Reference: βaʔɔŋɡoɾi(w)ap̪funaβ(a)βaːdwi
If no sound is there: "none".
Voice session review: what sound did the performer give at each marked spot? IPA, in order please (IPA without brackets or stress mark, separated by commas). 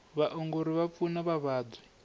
β, a